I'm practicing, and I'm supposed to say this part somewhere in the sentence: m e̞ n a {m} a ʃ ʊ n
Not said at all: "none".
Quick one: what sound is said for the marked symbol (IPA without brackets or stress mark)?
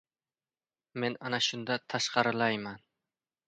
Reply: n